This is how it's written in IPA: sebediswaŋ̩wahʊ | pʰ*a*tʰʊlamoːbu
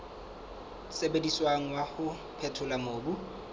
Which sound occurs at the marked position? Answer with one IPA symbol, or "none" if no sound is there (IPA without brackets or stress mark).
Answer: ɛ